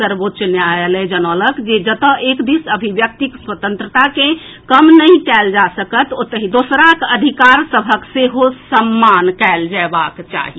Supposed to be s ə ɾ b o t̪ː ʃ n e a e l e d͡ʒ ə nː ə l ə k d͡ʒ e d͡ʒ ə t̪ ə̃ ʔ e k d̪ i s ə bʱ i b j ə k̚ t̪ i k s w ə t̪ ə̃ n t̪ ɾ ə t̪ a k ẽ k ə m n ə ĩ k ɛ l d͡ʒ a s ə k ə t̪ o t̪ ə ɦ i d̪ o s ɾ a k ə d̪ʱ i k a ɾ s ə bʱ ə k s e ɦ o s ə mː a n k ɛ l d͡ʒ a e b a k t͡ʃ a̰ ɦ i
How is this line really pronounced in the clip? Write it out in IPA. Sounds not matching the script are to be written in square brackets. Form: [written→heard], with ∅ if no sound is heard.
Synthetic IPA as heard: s ə ɾ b o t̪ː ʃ n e a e l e d͡ʒ ə [nː→n] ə l ə k d͡ʒ e d͡ʒ ə t̪ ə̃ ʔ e k d̪ i s ə bʱ i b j ə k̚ t̪ i k s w ə t̪ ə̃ n t̪ ɾ ə t̪ a k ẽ k ə m n ə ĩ k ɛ l d͡ʒ a s ə k ə t̪ o t̪ ə ɦ i d̪ o s ɾ a k ə d̪ʱ i k a ɾ s ə bʱ ə k s e ɦ o s ə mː a n k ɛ l d͡ʒ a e b a k t͡ʃ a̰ ɦ i

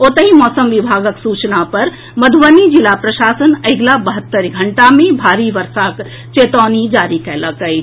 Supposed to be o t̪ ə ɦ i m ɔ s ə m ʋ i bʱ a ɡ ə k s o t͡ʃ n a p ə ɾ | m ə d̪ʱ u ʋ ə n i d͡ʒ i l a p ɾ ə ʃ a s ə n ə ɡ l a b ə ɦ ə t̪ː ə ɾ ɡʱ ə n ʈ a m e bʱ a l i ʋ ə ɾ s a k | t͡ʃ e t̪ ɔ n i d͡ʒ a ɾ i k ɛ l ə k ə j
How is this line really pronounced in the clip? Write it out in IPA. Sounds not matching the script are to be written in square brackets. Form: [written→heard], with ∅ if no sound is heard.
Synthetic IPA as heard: o t̪ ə ɦ i m ɔ s ə m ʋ i bʱ a ɡ ə k s [o→u] t͡ʃ n a p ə ɾ | m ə d̪ʱ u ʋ ə n i d͡ʒ i l a p ɾ ə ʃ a s ə n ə ɡ l a b ə ɦ ə t̪ː ə ɾ ɡʱ ə [n→ɳ] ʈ a m e bʱ a [l→ɾ] i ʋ ə ɾ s a k | t͡ʃ e t̪ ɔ n i d͡ʒ a ɾ i k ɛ l ə k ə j

